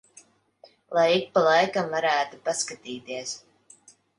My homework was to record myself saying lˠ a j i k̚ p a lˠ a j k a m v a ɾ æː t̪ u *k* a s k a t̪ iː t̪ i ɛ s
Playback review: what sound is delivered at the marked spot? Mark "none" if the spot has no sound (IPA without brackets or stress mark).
p